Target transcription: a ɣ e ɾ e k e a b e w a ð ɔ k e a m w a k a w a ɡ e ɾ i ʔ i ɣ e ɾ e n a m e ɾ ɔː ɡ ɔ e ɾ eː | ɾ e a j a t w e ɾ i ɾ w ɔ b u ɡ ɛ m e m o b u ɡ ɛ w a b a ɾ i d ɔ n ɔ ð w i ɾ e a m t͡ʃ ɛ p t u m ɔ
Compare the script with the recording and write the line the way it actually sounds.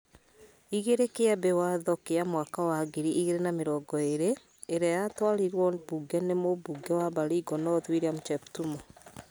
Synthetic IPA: i ɣ e ɾ e k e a b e w a ð ɔ k e a m w a k a w a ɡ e ɾ i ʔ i ɣ e ɾ e n a m e ɾ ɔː ɡ ɔ e ɾ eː | ɾ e a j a t w a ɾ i ɾ w ɔ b u ɡ ɛ n e m o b u ɡ ɛ w a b a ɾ i ɡ ɔ n ɔ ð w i ɾ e a m t͡ʃ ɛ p t u m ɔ